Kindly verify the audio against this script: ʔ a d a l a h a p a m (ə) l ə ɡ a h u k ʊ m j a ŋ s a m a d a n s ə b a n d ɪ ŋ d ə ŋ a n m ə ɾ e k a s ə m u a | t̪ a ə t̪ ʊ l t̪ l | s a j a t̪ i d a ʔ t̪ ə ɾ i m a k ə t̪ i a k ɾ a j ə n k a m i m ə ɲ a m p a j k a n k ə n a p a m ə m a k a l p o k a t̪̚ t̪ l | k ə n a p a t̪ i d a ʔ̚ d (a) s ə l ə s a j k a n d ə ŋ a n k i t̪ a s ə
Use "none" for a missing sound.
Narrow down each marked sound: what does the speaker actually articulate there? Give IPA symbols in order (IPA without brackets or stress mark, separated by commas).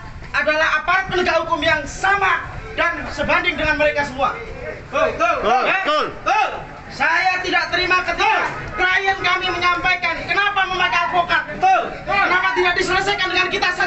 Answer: ə, i